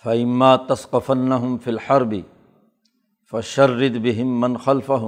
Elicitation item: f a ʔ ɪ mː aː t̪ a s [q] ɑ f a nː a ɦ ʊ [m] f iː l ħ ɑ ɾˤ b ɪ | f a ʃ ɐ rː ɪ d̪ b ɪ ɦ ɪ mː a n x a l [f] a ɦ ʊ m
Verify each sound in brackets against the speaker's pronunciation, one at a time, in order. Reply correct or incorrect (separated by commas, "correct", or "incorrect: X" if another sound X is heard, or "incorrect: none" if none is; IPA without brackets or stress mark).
correct, correct, correct